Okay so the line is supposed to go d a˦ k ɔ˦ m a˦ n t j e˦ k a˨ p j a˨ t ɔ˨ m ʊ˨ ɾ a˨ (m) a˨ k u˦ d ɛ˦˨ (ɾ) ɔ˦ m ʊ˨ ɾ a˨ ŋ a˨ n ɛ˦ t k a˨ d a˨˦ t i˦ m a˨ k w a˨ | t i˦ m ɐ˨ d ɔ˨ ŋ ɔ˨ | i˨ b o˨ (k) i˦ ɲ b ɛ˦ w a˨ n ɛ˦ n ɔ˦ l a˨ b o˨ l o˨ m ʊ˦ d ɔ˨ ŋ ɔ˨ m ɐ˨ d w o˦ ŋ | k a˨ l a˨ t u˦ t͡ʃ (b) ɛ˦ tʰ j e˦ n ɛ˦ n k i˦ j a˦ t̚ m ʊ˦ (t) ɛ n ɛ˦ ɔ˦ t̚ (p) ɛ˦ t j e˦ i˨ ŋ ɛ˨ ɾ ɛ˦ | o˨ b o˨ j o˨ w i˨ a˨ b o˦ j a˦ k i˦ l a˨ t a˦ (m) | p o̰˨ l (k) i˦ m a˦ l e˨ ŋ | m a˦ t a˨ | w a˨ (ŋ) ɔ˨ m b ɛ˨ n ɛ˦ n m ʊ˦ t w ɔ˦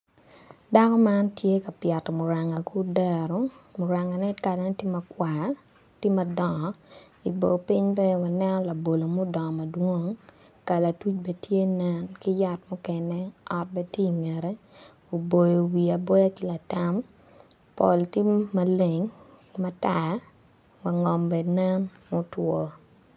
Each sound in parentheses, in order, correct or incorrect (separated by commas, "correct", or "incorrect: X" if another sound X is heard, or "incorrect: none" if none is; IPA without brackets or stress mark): incorrect: ŋ, correct, incorrect: p, correct, incorrect: k, incorrect: b, correct, incorrect: t, correct